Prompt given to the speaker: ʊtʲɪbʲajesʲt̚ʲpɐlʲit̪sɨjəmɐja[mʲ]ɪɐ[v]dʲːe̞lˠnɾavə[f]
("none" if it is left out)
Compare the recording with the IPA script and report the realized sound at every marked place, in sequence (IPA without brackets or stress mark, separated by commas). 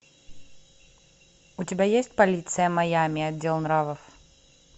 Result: mʲ, none, f